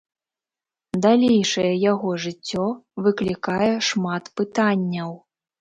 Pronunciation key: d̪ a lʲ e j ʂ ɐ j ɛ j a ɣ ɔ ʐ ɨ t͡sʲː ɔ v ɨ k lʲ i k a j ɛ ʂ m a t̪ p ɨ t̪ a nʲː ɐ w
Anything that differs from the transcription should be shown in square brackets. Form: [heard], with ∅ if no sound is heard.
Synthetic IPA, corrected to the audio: d̪ a lʲ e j ʂ ɐ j ɛ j a ɣ ɔ ʐ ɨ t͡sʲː ɔ v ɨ k lʲ i k a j ɛ ʂ m a t̪ p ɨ t̪ a nʲː ɐ w